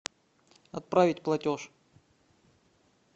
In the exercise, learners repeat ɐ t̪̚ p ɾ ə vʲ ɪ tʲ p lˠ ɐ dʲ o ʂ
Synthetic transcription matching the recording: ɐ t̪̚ p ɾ a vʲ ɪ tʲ p lˠ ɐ tʲ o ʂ